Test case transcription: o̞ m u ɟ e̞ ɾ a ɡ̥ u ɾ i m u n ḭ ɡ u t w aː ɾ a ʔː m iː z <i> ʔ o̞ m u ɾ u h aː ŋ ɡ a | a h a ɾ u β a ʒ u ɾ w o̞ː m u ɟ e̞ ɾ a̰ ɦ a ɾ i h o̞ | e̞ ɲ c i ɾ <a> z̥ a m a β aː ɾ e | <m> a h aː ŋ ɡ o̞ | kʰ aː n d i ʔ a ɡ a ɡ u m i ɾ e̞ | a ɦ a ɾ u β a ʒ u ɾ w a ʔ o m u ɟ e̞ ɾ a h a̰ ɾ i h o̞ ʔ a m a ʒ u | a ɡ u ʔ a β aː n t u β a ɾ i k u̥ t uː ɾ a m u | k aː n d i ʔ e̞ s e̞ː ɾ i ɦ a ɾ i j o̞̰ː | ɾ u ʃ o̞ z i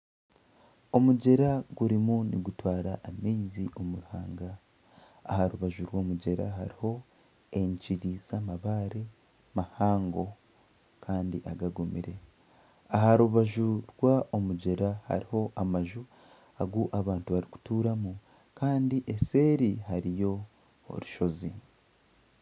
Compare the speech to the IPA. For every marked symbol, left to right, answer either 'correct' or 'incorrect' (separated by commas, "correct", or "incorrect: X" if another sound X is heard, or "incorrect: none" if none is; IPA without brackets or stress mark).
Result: correct, incorrect: i, correct